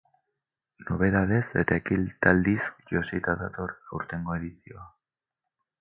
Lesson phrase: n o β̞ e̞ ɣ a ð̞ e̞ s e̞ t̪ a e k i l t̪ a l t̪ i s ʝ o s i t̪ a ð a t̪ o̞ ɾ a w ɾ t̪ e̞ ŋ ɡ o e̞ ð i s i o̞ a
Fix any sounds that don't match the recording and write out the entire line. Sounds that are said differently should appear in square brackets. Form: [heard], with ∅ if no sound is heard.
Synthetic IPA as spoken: n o β̞ e̞ [ð] a ð̞ e̞ s e̞ t̪ a e k i l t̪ a l [d̪] i s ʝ o s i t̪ a ð a t̪ o̞ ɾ a w ɾ t̪ e̞ ŋ ɡ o e̞ ð i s i o̞ a